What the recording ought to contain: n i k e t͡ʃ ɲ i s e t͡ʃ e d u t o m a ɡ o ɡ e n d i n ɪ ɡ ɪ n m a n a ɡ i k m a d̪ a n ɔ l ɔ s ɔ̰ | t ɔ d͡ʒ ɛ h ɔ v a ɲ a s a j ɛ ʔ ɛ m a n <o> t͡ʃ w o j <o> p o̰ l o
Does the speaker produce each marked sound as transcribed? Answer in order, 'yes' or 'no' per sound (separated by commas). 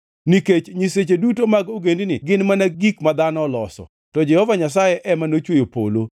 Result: yes, yes